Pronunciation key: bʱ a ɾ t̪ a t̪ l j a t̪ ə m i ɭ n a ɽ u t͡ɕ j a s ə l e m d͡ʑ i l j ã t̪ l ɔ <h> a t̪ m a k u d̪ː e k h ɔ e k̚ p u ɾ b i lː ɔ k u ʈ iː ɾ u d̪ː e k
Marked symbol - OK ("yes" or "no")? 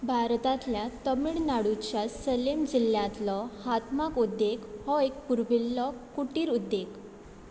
yes